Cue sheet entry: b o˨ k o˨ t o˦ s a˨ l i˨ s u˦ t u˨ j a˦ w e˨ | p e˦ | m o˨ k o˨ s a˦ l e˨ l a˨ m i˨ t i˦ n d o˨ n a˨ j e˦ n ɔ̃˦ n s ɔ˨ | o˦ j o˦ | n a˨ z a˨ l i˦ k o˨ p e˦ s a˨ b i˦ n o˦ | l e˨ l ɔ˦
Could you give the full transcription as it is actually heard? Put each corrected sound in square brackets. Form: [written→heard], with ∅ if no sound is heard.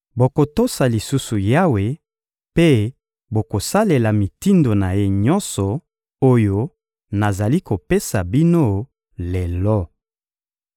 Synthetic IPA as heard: b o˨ k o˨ t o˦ s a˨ l i˨ s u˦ [t→s] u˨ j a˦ w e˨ | p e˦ | [m→b] o˨ k o˨ s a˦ l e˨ l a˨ m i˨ t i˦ n d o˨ n a˨ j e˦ [n→ɲ] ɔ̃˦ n s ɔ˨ | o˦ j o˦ | n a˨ z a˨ l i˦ k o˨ p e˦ s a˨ b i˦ n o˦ | l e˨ l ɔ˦